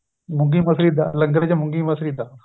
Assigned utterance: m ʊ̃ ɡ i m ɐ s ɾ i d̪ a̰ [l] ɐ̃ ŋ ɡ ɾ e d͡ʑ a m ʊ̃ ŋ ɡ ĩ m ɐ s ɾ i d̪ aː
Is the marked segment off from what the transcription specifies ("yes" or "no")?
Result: no